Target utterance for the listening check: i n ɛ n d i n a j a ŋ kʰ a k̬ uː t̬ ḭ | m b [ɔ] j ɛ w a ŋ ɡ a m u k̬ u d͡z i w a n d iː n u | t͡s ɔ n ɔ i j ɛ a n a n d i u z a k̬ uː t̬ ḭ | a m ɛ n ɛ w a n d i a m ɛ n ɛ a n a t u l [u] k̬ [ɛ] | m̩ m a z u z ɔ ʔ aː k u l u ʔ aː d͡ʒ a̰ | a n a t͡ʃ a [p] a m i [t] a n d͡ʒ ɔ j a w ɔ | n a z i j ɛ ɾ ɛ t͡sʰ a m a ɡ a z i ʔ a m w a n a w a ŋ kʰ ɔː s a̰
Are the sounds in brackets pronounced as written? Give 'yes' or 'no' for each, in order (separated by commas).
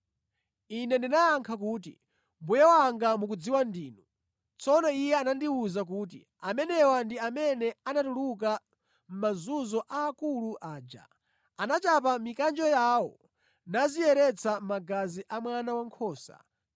no, yes, no, yes, no